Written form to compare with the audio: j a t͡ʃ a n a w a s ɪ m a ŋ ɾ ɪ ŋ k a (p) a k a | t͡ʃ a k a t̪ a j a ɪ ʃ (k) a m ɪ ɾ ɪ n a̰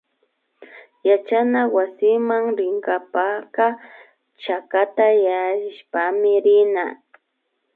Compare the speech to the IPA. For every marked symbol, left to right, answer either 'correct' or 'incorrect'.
correct, incorrect: p

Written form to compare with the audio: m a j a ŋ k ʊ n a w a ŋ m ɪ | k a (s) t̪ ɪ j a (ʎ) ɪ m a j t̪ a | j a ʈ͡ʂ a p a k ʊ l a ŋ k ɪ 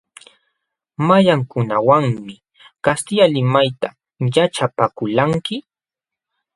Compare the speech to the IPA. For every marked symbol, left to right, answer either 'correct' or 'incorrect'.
correct, incorrect: l

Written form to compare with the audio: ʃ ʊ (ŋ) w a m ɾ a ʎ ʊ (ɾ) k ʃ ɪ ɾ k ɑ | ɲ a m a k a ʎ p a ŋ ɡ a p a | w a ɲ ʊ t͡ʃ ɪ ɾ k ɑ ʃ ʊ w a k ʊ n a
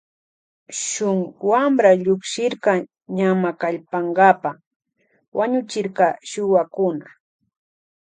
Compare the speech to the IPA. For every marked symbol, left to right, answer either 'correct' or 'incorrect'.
correct, incorrect: none

